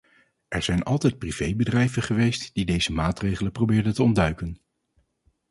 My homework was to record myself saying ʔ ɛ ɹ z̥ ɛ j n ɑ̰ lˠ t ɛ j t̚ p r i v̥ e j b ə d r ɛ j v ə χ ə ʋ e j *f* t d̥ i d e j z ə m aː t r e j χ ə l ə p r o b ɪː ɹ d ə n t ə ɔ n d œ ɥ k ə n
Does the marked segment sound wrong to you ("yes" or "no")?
yes